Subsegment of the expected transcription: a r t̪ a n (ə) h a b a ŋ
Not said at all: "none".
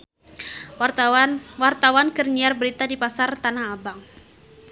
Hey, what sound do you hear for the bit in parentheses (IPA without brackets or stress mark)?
a